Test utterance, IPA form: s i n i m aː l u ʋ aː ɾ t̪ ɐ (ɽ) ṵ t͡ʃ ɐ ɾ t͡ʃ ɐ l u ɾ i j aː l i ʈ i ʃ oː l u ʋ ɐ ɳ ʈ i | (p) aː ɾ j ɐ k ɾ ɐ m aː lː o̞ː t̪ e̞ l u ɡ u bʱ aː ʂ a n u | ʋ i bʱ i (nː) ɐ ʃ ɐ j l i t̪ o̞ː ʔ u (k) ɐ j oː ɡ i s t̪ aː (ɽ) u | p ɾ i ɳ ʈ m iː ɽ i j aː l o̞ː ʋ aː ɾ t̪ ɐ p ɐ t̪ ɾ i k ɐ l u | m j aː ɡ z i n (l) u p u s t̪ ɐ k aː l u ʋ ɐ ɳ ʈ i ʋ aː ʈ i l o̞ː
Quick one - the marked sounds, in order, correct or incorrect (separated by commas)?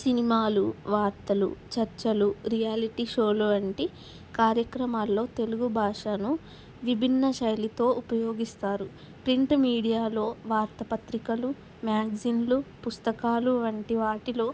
incorrect, incorrect, correct, incorrect, incorrect, correct